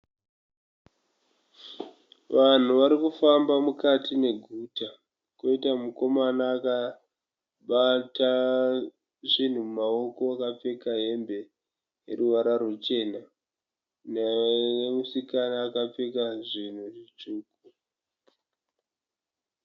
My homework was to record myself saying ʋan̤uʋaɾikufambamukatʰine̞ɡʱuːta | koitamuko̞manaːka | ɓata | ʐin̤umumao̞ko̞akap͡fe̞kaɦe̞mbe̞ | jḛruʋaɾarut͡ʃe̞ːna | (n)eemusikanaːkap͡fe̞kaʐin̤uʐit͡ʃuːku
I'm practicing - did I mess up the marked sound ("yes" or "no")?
no